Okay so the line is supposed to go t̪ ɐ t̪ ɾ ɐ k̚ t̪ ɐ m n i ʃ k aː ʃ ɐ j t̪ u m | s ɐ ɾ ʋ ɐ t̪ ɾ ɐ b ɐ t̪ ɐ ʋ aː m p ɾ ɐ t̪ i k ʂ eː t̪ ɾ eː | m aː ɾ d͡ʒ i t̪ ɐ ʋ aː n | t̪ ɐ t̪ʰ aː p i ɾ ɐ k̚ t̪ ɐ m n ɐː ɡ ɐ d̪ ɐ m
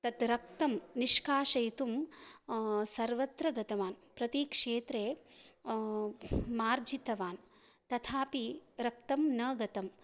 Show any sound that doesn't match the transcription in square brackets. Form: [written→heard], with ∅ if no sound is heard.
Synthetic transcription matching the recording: t̪ ɐ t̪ ɾ ɐ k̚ t̪ ɐ m n i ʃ k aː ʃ ɐ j t̪ u m | s ɐ ɾ ʋ ɐ t̪ ɾ ɐ [b→ɡ] ɐ t̪ ɐ ʋ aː [m→n] p ɾ ɐ t̪ i k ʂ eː t̪ ɾ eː | m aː ɾ d͡ʒ i t̪ ɐ ʋ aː n | t̪ ɐ t̪ʰ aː p i ɾ ɐ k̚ t̪ ɐ m n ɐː ɡ ɐ [d̪→t̪] ɐ m